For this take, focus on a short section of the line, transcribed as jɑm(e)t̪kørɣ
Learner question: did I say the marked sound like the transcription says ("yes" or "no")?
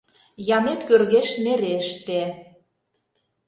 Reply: yes